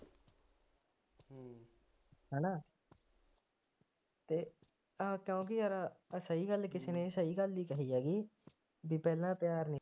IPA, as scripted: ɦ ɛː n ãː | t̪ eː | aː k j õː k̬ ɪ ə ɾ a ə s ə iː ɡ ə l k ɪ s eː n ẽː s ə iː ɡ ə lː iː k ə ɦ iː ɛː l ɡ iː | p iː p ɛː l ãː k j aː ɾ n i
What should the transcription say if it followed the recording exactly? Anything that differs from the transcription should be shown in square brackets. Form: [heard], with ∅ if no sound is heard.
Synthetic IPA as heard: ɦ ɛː n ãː | t̪ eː | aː k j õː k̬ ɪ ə ɾ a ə s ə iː ɡ ə l k ɪ s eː n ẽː s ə iː ɡ ə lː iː k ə ɦ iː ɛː [∅] ɡ iː | [b] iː p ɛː l ãː [p] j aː ɾ n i